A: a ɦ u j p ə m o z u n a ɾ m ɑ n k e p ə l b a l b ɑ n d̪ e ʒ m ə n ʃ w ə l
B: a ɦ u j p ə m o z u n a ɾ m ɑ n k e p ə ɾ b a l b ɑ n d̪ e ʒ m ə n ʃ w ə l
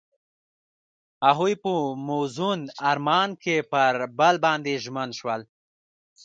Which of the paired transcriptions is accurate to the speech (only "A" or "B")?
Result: B